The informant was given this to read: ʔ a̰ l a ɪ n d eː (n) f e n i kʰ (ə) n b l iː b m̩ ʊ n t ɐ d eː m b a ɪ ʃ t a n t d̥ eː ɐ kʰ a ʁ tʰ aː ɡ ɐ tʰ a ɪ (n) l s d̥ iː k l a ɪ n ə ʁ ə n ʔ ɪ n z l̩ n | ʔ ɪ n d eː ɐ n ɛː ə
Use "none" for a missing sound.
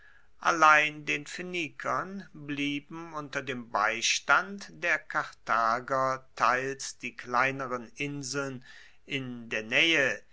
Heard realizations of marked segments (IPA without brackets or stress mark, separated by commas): n, ɐ, none